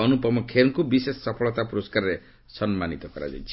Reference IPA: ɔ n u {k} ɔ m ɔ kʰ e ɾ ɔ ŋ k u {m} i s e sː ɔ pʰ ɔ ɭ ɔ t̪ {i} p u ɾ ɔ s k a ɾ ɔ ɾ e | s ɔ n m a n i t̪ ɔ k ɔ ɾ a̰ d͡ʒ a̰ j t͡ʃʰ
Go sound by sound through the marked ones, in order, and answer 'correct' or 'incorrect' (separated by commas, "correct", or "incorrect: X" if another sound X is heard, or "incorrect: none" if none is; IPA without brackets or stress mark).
incorrect: p, incorrect: b, incorrect: a